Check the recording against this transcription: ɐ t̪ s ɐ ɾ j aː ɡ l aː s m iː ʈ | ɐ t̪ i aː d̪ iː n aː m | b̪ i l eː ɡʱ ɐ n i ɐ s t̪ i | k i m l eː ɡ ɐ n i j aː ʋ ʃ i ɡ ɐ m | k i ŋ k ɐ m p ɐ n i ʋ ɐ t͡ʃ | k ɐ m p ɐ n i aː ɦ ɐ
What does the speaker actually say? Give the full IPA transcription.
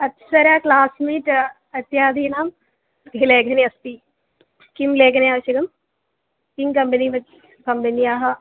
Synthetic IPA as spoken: ɐ t̪ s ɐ ɾ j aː k l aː s m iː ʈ | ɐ t̪ j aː d̪ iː n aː m | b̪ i l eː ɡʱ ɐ n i ɐ s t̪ i | k i m l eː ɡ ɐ n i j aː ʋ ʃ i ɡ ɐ m | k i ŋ k ɐ m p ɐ n i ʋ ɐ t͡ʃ | k ɐ m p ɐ n i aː ɦ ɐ